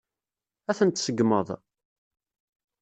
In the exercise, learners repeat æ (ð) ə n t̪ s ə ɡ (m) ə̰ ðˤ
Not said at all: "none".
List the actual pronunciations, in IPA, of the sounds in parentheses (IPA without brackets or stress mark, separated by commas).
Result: θ, m